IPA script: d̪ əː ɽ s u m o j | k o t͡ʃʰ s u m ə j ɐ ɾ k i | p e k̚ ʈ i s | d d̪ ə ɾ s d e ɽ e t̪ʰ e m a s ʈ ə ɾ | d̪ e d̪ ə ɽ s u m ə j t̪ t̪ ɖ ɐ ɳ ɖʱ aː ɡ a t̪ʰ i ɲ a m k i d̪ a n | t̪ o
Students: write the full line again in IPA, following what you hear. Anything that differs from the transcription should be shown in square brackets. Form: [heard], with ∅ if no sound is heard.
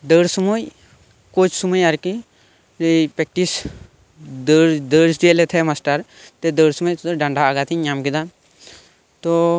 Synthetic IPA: d̪ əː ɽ s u m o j | k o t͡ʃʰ s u m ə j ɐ ɾ k i | p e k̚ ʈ i s | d d̪ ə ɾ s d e [l] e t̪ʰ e m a s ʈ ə ɾ | [t̪] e d̪ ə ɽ s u m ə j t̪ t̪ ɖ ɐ ɳ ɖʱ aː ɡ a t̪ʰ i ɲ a m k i d̪ a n | t̪ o